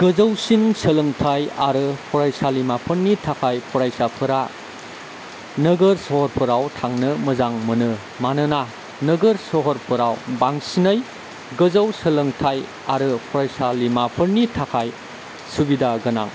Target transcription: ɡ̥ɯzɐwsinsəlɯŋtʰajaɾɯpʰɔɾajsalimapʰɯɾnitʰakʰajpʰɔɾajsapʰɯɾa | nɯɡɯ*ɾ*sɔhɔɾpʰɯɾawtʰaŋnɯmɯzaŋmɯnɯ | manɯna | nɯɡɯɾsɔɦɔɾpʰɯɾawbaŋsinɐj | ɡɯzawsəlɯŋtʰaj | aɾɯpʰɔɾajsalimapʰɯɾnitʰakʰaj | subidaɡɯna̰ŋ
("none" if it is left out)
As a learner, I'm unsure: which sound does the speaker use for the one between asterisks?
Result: ɾ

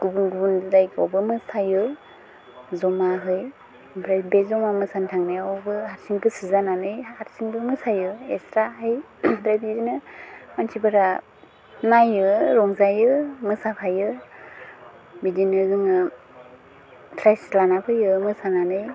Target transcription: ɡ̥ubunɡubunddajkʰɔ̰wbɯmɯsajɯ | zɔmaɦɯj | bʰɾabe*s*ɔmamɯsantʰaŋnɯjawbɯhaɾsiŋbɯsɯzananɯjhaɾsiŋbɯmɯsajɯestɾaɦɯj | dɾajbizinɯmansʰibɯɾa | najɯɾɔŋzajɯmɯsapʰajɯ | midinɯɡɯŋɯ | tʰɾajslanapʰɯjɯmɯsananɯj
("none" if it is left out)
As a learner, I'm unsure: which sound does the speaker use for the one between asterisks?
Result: z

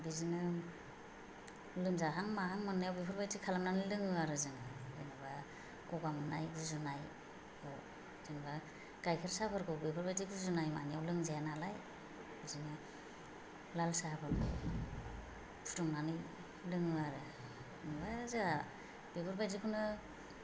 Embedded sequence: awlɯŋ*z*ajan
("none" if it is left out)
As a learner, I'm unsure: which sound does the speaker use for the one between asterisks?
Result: z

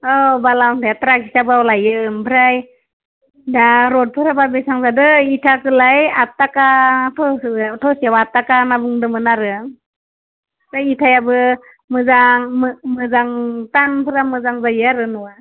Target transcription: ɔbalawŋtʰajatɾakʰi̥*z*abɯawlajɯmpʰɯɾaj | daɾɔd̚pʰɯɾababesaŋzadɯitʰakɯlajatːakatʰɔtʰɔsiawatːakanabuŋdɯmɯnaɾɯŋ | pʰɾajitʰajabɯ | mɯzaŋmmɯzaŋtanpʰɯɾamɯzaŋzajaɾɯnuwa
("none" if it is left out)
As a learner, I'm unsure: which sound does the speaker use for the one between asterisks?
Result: s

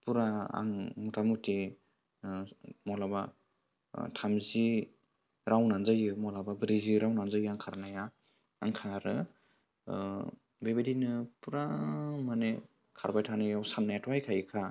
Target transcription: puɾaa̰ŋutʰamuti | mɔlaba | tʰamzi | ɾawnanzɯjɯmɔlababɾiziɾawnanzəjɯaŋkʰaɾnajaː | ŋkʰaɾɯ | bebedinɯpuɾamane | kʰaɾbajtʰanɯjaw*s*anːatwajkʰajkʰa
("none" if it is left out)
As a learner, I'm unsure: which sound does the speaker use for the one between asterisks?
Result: s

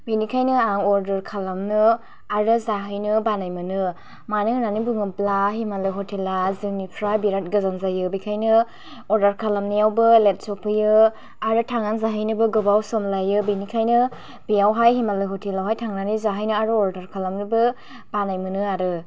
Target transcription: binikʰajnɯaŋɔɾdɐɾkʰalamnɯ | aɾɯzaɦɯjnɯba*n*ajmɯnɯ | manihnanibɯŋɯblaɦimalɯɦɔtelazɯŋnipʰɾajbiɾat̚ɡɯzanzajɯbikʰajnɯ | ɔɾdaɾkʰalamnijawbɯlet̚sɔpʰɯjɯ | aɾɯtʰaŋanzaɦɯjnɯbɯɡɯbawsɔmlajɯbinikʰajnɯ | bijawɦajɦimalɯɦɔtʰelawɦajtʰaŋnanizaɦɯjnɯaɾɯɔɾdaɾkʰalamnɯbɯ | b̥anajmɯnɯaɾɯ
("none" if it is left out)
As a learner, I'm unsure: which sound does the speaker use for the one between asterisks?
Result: n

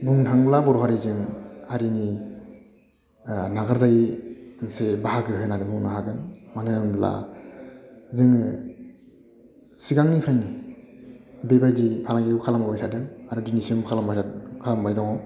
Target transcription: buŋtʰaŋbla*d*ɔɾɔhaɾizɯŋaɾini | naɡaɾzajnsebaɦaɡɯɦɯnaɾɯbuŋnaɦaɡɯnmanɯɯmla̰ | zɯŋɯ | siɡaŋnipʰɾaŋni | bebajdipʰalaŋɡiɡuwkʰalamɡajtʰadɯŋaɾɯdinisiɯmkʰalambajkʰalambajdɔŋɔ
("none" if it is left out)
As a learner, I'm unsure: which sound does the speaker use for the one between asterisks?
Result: b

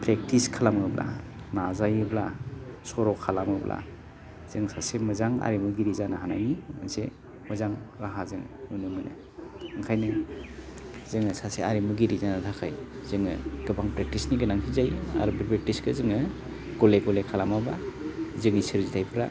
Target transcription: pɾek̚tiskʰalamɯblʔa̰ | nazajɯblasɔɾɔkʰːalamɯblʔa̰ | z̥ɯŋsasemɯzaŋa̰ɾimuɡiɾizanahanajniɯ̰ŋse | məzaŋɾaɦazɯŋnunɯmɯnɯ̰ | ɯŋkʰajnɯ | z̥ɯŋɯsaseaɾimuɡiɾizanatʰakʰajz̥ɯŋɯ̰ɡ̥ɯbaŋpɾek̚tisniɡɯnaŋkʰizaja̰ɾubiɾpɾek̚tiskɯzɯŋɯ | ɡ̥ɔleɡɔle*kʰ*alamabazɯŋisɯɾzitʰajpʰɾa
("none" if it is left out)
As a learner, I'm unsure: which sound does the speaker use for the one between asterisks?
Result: kʰ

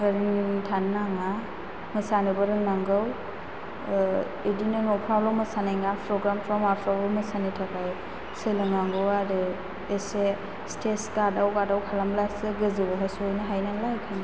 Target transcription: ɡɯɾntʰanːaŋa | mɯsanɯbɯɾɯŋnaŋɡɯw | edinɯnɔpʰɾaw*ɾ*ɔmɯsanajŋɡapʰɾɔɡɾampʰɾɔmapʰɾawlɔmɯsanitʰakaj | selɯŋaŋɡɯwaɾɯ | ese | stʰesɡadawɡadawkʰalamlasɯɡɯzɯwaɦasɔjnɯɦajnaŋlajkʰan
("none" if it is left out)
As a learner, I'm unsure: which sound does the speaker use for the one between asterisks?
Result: l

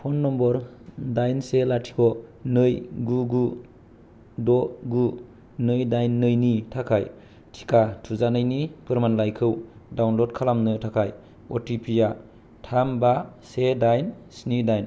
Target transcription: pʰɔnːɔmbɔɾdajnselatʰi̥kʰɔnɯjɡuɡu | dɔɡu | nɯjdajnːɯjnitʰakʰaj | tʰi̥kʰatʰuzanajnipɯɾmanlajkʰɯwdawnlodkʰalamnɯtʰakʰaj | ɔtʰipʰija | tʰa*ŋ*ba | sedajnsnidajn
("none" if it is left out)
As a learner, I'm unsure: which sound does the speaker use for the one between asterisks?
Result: m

